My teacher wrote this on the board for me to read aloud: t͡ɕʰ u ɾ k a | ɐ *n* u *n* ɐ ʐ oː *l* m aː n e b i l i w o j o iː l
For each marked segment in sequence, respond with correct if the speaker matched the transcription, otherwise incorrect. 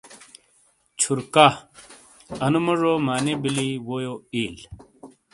correct, incorrect: m, incorrect: none

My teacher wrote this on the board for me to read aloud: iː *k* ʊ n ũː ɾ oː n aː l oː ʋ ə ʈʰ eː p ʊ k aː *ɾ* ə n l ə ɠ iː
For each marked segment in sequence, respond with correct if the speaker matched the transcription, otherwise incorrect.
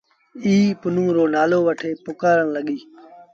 incorrect: p, correct

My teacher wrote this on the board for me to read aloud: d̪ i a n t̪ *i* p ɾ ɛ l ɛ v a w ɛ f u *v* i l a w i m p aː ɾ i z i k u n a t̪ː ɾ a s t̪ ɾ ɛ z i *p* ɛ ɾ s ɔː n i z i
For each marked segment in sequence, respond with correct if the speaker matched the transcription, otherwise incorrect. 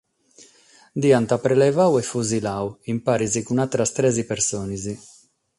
incorrect: a, incorrect: z, correct

